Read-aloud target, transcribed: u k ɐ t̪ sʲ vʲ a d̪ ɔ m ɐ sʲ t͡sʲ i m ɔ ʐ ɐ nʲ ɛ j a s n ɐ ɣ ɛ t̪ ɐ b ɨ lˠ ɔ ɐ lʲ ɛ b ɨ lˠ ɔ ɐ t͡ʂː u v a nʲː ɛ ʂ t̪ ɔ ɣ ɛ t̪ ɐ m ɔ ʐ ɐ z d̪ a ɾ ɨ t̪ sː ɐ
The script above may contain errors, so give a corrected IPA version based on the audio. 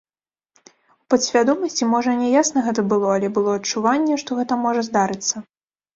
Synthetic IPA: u p ɐ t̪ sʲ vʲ a d̪ ɔ m ɐ sʲ t͡sʲ i m ɔ ʐ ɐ nʲ ɛ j a s n ɐ ɣ ɛ t̪ ɐ b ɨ lˠ ɔ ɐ lʲ ɛ b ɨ lˠ ɔ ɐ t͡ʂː u v a nʲː ɛ ʂ t̪ ɔ ɣ ɛ t̪ ɐ m ɔ ʐ ɐ z d̪ a ɾ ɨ t̪ sː ɐ